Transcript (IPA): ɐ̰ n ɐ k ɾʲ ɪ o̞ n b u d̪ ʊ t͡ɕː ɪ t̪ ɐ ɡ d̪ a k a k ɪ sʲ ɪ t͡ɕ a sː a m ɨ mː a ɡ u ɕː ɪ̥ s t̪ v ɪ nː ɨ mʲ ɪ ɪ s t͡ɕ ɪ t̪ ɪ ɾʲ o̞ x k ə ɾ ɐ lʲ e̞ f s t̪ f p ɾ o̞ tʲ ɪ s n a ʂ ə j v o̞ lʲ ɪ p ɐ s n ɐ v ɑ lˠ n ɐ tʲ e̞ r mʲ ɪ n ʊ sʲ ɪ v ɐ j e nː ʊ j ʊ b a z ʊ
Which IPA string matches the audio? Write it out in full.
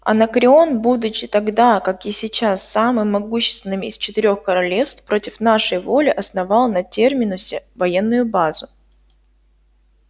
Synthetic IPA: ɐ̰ n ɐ k ɾʲ ɪ o̞ n b u d̪ ʊ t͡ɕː ɪ t̪ ɐ ɡ d̪ a k a k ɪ sʲ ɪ t͡ɕ a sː a m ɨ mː ɐ ɡ u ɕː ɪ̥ s t̪ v ɪ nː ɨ mʲ ɪ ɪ s t͡ɕ ɪ t̪ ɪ ɾʲ o̞ x k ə ɾ ɐ lʲ e̞ f s t̪ f p ɾ o̞ tʲ ɪ f n a ʂ ə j v o̞ lʲ ɪ ʔ ɐ s n ɐ v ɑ lˠ n ɐ tʲ e̞ r mʲ ɪ n ʊ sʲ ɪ v ɐ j e nː ʊ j ʊ b a z ʊ